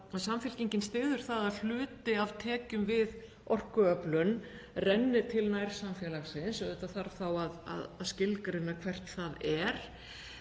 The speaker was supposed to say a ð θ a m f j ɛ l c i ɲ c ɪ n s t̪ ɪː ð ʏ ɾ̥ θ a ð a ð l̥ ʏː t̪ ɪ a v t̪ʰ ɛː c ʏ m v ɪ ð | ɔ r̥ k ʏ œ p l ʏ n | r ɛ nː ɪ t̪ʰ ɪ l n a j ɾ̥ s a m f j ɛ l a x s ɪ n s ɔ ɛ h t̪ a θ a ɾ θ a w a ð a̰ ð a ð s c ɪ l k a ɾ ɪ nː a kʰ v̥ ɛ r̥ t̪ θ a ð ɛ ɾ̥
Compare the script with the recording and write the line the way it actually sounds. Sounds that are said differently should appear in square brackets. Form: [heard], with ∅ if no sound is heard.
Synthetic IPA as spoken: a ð [s] a m f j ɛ l c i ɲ c ɪ n s t̪ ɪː ð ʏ ɾ̥ θ a ð a ð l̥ ʏː t̪ ɪ a v t̪ʰ ɛː c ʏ m v ɪ ð | ɔ r̥ k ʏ œ p l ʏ n | r ɛ nː ɪ t̪ʰ ɪ l n a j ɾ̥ s a m f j ɛ l a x s ɪ n s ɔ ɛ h t̪ a θ a ɾ θ a w a ð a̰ ð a ð s c ɪ l k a ɾ ɪ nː a kʰ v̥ ɛ r̥ t̪ θ a ð ɛ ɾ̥